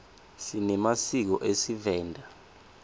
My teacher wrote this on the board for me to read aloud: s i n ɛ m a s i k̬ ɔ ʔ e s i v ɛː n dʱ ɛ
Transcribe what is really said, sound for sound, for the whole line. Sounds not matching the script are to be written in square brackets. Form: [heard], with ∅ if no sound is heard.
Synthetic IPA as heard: s i n ɛ m a s i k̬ ɔ ʔ e s i v ɛː n dʱ [a]